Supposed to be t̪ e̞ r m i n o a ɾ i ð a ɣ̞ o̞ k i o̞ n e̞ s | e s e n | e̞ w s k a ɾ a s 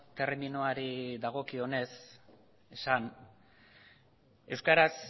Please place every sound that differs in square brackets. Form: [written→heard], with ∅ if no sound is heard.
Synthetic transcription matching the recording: t̪ e̞ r m i n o a ɾ i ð a ɣ̞ o̞ k i o̞ n e̞ s | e s [e→a] n | e̞ w s k a ɾ a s